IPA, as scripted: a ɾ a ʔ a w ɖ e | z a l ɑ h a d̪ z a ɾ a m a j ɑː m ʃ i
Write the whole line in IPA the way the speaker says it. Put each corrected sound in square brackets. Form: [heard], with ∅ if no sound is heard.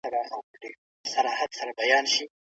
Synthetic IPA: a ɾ a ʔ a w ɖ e | [s] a [ɾ] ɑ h a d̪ [s] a ɾ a [b] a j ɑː [n] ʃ i

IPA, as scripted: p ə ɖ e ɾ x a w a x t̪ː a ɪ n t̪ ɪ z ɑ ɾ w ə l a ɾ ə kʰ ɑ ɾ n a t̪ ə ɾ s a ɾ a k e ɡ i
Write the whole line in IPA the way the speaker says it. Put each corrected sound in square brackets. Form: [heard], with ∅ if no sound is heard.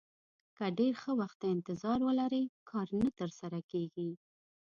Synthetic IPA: [k] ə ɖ e ɾ x [ə] w a x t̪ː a ɪ n t̪ ɪ z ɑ ɾ w ə l a ɾ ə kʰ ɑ ɾ n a t̪ ə ɾ s a ɾ a k e ɡ i

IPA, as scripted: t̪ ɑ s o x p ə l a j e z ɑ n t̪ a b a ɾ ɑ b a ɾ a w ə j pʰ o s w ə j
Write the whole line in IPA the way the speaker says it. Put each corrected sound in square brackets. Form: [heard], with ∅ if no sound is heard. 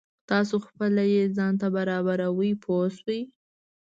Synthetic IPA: t̪ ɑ s o x p ə l a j e z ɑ n t̪ a b a ɾ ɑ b a ɾ a w ə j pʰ o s w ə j

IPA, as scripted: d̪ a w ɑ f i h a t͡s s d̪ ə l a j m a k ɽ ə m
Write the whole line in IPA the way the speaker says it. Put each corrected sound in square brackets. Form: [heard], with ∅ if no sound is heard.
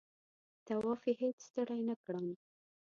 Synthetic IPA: [t̪] a w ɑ f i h [e] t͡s s [t̪] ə [ɽ] a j [n] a k ɽ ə m

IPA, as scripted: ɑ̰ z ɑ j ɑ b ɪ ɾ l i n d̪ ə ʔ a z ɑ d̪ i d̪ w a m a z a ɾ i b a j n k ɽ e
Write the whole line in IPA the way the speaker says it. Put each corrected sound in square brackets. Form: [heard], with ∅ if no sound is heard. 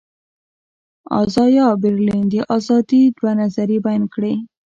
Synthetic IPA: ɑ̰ z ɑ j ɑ b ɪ ɾ l i n d̪ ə ʔ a z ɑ d̪ i d̪ w a [n] a z a ɾ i b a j n k ɽ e

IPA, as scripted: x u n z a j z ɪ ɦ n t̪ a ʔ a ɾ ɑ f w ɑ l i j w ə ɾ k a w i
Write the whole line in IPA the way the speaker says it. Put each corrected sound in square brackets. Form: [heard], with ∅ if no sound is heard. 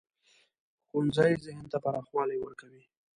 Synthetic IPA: x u n z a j z ɪ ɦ n t̪ a [p] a ɾ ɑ [x] w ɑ l [a] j w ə ɾ k a w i

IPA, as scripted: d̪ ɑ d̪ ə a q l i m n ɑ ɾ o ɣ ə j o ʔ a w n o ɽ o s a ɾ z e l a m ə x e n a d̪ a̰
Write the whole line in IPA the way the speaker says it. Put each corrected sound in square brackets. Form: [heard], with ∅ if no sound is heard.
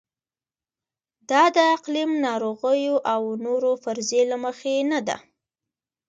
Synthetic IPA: d̪ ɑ d̪ ə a q l i m n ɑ ɾ o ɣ ə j o ʔ a w n o [ɾ] o [f] a ɾ z e l a m ə x e n a d̪ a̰

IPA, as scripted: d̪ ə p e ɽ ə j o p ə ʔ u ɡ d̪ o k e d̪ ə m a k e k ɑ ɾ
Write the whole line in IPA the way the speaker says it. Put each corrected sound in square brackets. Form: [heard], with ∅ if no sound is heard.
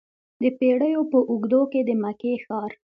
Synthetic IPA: d̪ ə p e ɽ ə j o p ə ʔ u ɡ d̪ o k e d̪ ə m a k e [x] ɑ ɾ

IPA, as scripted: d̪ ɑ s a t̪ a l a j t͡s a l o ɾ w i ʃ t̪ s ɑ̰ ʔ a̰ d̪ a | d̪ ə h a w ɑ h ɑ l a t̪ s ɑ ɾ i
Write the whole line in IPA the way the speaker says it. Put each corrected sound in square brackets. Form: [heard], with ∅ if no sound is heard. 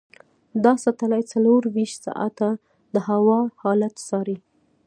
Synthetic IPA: d̪ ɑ s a t̪ a l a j t͡s a l o ɾ w i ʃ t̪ s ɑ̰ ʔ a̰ [t̪] a | d̪ ə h a w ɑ h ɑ l a t̪ s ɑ ɾ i

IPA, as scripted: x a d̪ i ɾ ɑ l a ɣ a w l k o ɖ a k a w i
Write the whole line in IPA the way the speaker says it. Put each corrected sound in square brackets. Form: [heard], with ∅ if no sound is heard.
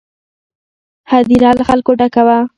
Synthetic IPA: [h] a d̪ i ɾ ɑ l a [x] a [∅] l k o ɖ a k a w [a]

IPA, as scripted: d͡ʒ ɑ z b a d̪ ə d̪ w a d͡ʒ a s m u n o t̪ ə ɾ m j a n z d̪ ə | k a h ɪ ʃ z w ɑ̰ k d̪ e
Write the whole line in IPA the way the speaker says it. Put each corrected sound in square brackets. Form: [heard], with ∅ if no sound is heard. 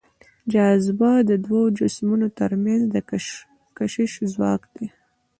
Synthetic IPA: d͡ʒ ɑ z b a d̪ ə d̪ w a d͡ʒ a s m u n o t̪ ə ɾ m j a n z d̪ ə | k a [ʃ] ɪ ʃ z w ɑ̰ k d̪ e

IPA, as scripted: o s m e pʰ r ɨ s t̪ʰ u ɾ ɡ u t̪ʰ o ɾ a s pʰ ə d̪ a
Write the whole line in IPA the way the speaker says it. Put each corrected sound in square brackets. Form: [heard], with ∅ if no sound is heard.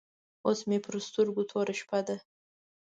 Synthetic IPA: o s m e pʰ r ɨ s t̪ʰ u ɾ ɡ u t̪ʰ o ɾ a [ʃ] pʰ [a] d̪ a

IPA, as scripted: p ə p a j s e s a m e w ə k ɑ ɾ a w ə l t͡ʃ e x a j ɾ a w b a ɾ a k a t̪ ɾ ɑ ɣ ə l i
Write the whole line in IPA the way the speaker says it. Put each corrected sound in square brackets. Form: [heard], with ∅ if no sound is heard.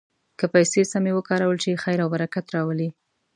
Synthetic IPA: [k] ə p a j s e s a m e w ə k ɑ ɾ a w ə l t͡ʃ e x a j ɾ a w b a ɾ a k a t̪ ɾ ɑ [w] ə l i

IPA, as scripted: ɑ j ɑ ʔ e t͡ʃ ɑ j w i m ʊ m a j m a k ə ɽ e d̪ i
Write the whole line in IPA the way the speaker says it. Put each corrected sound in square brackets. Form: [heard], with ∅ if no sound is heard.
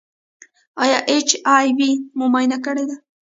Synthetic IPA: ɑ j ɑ ʔ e t͡ʃ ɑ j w i m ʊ m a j [n] a k ə ɽ e d̪ [a]

